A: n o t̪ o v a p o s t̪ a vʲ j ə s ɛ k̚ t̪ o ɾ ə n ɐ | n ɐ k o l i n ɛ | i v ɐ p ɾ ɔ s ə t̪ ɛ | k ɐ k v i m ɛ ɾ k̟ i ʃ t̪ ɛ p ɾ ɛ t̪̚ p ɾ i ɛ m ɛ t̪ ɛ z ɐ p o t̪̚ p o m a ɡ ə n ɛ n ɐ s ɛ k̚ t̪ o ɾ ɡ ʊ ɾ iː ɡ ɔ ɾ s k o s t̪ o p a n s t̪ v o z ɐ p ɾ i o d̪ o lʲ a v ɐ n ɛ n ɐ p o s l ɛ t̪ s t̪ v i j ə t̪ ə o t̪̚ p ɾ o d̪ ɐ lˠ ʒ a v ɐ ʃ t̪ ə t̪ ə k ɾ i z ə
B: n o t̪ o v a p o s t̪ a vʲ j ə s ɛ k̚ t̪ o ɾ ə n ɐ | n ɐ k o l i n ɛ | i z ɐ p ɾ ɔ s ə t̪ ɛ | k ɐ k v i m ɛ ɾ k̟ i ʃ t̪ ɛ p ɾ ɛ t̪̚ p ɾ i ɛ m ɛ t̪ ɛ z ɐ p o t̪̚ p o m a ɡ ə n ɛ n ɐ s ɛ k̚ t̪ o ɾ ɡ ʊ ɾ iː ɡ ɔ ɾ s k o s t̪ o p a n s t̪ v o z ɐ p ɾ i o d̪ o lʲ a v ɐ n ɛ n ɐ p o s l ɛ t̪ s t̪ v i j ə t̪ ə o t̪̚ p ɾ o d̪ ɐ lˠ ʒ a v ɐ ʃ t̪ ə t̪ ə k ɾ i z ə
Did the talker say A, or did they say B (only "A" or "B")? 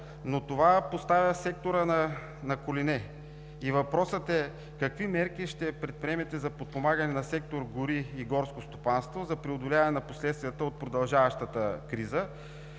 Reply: A